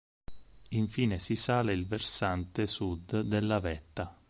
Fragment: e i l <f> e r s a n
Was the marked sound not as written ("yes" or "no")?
yes